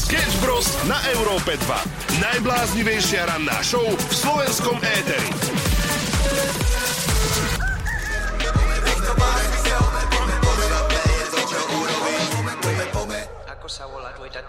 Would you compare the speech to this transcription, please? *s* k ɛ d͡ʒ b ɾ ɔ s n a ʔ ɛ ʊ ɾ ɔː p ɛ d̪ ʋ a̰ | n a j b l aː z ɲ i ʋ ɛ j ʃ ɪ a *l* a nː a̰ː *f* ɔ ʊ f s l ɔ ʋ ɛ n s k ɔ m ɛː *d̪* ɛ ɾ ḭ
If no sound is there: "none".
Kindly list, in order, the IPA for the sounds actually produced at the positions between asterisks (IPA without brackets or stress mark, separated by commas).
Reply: s, ɾ, ʃ, t̪